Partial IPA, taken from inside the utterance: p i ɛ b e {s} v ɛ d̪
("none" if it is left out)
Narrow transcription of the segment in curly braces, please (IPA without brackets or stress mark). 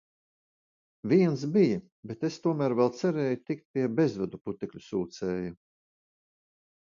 z